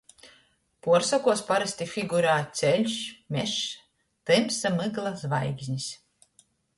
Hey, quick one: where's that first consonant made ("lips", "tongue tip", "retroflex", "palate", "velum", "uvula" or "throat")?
lips